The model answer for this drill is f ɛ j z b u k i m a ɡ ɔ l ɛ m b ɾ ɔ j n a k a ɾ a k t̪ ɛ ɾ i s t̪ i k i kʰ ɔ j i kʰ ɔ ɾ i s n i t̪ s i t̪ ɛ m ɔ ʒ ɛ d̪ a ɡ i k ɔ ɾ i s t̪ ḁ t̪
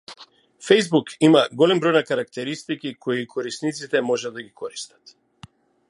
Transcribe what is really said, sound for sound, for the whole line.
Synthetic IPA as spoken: f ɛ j z b u k i m a ɡ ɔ l ɛ m b ɾ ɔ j n a k a ɾ a k t̪ ɛ ɾ i s t̪ i k i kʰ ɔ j i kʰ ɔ ɾ i s n i t̪ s i t̪ ɛ m ɔ ʒ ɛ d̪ a ɡ i k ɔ ɾ i s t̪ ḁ t̪